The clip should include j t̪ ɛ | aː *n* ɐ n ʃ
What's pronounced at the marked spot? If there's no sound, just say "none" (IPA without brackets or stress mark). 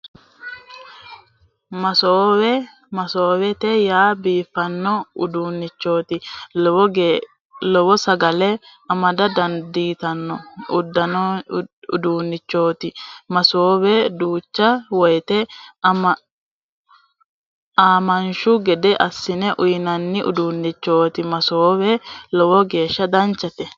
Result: m